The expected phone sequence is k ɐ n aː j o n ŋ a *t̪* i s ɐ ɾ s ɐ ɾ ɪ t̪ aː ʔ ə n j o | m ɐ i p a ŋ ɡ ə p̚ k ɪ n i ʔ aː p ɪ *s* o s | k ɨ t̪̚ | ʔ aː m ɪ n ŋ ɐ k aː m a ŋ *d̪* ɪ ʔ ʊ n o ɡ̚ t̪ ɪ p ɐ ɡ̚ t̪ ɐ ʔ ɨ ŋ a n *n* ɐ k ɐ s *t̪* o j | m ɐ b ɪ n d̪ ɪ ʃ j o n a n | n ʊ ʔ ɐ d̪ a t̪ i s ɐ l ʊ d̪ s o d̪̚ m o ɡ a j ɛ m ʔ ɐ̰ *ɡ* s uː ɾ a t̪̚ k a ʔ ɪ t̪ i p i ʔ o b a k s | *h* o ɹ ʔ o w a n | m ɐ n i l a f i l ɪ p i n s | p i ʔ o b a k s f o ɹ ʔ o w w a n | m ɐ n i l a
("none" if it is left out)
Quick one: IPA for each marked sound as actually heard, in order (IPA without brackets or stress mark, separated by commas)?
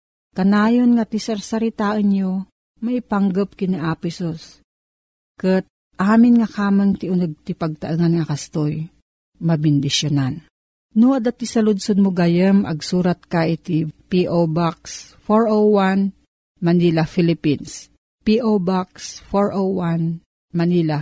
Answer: t̪, s, t̪, ŋ, t̪, ɡ, f